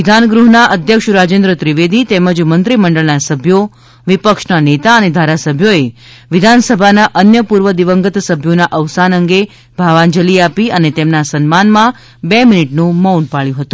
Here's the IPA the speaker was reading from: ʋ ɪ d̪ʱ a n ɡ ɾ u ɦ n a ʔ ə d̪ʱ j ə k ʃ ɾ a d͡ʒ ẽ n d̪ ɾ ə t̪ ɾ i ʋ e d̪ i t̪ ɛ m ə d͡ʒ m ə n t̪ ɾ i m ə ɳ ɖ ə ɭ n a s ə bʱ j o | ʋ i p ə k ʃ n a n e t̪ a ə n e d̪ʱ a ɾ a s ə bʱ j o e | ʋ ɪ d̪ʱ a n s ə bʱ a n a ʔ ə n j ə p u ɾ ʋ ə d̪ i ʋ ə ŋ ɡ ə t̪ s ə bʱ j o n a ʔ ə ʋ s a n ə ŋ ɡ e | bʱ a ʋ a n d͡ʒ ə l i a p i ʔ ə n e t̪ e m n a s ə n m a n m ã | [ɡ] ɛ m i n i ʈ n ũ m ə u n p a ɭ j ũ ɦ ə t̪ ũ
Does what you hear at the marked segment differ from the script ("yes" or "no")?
yes